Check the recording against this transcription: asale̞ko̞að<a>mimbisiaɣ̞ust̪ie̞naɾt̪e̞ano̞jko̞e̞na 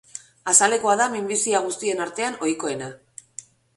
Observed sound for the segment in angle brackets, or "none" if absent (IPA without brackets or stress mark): a